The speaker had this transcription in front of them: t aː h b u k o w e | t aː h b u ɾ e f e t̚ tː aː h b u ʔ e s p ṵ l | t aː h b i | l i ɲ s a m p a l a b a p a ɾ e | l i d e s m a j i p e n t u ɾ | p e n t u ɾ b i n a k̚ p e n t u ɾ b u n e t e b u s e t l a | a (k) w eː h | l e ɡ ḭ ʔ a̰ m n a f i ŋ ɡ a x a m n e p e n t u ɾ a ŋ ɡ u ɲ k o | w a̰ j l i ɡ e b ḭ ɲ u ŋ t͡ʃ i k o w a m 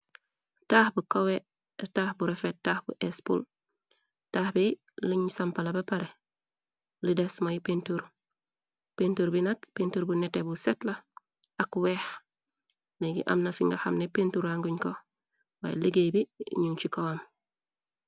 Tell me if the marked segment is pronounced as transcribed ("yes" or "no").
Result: yes